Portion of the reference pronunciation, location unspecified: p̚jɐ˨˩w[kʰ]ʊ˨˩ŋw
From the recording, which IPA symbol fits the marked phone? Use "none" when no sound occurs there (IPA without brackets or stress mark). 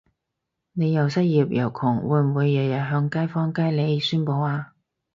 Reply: kʰ